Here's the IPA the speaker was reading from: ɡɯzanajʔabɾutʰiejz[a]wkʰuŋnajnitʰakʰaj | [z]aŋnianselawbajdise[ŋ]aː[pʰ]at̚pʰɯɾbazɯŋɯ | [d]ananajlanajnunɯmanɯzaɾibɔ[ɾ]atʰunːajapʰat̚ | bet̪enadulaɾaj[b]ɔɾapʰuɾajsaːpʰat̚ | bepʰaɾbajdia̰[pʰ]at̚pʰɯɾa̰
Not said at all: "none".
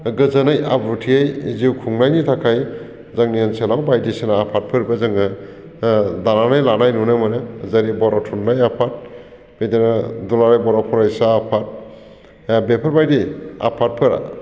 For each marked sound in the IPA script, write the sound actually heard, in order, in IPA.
i, z, n, pʰ, d, ɾ, b, pʰ

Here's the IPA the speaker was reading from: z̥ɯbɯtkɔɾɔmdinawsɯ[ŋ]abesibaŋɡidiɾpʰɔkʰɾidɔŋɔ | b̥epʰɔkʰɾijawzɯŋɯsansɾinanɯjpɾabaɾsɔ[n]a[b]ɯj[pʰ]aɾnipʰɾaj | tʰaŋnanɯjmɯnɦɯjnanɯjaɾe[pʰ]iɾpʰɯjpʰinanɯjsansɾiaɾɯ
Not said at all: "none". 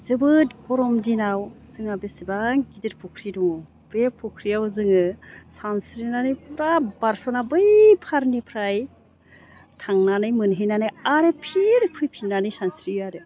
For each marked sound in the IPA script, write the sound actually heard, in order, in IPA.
ŋ, n, b, pʰ, pʰ

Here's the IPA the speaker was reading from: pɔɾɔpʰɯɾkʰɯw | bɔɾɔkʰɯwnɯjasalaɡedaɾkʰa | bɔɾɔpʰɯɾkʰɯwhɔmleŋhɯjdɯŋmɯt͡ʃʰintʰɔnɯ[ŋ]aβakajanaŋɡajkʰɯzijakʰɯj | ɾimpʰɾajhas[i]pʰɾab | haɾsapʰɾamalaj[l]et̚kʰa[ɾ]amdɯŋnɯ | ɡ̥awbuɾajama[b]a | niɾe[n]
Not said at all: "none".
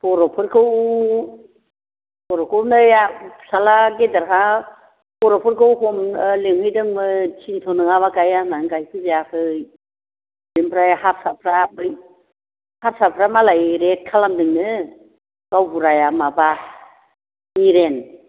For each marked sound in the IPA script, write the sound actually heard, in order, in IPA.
ŋ, a, ɾ, l, b, n

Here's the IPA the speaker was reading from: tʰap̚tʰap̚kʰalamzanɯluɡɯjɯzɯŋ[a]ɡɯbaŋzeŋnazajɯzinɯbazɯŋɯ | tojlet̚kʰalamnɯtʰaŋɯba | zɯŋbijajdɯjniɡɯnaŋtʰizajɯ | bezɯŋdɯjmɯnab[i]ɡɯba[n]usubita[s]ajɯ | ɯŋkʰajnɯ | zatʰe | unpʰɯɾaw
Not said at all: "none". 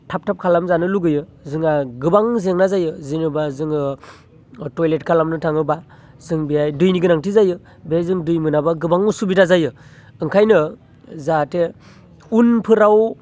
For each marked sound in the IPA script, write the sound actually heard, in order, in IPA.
a, a, ŋ, z

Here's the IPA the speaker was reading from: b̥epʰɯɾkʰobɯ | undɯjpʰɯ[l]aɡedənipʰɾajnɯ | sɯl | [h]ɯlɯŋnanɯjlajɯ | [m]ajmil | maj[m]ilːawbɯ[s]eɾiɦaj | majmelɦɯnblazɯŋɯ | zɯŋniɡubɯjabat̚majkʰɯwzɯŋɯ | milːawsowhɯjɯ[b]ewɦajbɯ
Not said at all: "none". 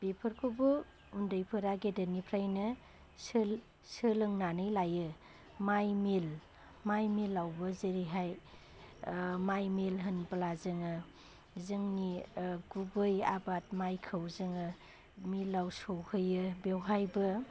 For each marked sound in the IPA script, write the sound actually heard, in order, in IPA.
ɾ, s, m, m, z, b

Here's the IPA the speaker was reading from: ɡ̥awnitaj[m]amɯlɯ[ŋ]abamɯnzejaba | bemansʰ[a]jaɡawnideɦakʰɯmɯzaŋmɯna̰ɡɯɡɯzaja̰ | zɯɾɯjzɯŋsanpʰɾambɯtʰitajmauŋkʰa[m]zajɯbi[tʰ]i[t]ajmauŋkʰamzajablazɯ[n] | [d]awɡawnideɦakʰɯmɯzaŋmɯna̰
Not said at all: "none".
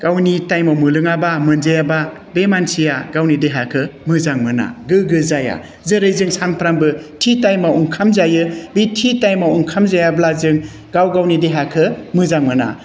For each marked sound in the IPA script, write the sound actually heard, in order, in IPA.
m, ŋ, i, m, tʰ, t, ŋ, ɡ

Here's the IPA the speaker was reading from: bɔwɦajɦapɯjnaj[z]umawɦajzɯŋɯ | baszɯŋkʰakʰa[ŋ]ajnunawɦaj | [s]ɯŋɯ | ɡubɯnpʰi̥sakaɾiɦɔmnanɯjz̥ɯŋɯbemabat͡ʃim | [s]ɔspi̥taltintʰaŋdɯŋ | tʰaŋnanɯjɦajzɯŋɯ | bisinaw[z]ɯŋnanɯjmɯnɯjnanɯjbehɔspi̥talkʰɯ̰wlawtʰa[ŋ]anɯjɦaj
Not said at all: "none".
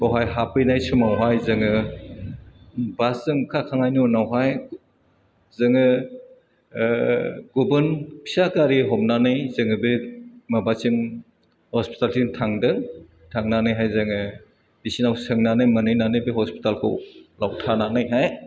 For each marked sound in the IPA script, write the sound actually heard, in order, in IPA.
s, ŋ, z, h, s, n

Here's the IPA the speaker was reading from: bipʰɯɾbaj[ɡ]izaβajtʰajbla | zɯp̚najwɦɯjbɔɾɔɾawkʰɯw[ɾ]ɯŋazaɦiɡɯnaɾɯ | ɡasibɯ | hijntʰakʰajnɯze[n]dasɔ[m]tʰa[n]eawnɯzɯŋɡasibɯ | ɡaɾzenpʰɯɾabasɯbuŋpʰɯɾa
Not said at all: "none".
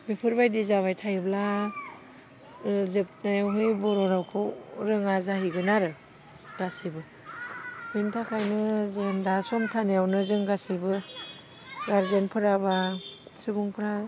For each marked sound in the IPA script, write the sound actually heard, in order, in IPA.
d, ɾ, n, m, n

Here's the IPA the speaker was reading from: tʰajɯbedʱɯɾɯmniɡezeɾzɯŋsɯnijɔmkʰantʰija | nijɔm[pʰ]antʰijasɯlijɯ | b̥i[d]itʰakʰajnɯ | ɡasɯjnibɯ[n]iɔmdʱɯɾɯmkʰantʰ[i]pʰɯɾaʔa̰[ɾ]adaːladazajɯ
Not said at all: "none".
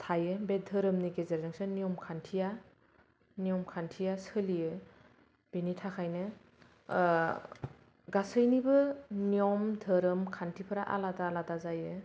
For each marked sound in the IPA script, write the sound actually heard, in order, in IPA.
kʰ, n, n, i, l

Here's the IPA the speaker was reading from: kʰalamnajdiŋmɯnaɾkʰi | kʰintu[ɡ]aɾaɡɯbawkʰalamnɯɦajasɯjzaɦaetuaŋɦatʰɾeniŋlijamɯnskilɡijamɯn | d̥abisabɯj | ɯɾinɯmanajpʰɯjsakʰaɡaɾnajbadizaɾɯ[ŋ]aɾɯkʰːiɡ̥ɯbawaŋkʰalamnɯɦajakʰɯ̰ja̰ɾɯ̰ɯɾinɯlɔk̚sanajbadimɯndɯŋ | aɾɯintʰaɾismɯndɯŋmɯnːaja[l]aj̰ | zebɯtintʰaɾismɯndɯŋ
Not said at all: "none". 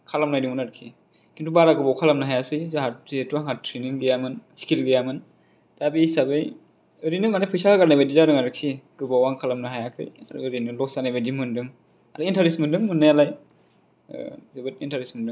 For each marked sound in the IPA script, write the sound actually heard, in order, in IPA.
b, ŋ, l

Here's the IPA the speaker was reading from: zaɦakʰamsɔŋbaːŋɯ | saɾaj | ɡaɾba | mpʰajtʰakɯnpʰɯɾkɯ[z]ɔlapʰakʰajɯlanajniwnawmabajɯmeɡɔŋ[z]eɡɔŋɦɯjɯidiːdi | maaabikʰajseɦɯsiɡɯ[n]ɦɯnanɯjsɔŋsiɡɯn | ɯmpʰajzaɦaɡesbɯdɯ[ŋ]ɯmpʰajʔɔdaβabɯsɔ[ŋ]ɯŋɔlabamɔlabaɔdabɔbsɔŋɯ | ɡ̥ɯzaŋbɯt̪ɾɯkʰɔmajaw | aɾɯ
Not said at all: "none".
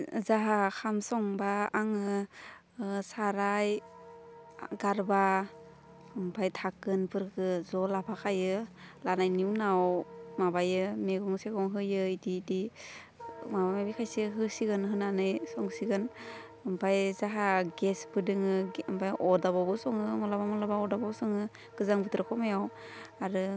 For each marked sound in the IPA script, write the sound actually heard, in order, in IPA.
z, s, n, ŋ, ŋ

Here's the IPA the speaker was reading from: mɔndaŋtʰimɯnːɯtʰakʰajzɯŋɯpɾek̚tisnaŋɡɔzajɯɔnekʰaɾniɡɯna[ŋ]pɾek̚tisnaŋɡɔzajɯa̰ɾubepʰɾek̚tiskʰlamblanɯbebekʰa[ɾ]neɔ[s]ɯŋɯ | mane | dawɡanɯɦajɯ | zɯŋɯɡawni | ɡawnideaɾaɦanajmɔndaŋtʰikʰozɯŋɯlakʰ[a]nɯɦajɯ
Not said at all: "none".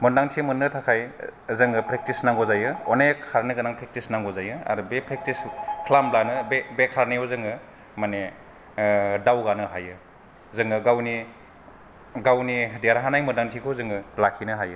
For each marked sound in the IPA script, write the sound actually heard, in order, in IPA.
ŋ, ɾ, z, i

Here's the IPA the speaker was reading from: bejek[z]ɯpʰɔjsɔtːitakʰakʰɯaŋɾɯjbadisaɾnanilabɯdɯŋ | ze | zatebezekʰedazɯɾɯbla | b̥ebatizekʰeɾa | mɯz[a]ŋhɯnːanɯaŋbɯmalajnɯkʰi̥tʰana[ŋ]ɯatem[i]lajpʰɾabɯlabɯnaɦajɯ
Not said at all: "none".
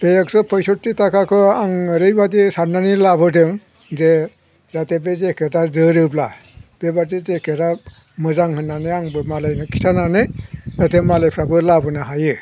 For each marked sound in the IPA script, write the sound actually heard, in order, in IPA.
s, a, n, a

